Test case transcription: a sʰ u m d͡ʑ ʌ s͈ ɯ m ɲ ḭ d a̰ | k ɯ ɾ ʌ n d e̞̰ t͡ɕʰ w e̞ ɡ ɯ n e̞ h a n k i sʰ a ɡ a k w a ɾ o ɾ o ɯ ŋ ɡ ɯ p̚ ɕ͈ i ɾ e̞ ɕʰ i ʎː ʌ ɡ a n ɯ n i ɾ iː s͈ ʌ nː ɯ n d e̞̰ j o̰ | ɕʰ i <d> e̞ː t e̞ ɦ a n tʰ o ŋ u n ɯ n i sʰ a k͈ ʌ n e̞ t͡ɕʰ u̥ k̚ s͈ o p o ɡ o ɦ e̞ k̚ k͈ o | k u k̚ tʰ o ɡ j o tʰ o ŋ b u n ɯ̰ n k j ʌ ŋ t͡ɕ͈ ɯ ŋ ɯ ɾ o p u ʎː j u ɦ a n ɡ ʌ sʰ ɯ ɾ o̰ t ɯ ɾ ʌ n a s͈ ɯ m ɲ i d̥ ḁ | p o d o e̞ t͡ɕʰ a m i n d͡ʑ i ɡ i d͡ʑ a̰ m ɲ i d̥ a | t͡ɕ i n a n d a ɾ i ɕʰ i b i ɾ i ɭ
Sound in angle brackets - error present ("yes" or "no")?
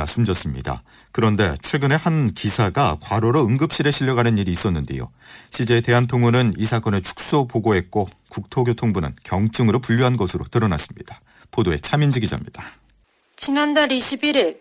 yes